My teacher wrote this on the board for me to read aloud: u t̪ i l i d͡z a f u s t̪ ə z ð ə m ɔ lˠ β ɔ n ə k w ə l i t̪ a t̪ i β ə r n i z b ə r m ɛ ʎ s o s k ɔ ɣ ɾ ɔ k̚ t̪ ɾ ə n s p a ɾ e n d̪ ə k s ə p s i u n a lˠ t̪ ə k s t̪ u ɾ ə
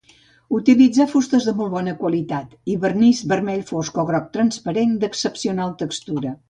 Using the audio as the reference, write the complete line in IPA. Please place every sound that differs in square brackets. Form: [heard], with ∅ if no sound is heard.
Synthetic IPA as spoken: u t̪ i l i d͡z a f u s t̪ ə z ð ə m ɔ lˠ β ɔ n ə k w ə l i t̪ a t̪ i β ə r n i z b ə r m ɛ ʎ [f] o s k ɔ ɣ ɾ ɔ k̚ t̪ ɾ ə n s p [ə] ɾ e n d̪ ə k s ə p s i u n a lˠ t̪ ə k s t̪ u ɾ ə